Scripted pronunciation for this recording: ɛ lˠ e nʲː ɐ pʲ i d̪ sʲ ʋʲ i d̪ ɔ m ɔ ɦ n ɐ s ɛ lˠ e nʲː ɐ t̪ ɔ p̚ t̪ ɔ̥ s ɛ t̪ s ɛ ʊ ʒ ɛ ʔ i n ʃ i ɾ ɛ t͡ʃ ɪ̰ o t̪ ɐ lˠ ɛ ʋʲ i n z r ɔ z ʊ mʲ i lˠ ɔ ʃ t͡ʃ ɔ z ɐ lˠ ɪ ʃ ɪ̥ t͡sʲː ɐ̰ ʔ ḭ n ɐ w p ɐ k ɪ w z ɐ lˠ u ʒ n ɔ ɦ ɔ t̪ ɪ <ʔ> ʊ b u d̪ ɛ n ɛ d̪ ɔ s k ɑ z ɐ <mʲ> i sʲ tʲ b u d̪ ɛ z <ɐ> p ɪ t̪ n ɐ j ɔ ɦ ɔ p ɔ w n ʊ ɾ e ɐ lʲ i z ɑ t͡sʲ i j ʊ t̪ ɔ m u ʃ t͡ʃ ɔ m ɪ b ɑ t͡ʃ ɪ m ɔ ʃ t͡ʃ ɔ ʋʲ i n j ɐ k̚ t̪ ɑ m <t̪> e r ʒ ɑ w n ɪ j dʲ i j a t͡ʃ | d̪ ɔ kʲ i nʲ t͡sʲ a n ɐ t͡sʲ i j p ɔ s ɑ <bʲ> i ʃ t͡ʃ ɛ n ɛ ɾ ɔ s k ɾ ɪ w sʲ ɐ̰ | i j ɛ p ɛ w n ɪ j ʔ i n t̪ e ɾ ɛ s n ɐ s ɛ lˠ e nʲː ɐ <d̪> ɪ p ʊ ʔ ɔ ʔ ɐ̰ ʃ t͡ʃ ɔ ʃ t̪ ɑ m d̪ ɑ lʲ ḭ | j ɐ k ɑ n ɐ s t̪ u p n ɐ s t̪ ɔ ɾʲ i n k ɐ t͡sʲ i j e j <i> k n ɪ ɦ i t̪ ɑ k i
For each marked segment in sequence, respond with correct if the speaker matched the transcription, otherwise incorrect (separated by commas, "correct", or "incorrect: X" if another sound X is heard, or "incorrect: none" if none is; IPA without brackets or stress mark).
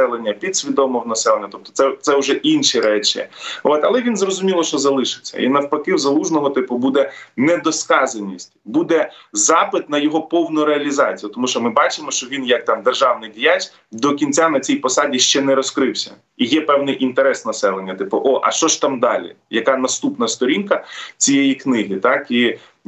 incorrect: p, incorrect: nʲ, incorrect: ɑ, incorrect: d̪, incorrect: dʲ, incorrect: t̪, correct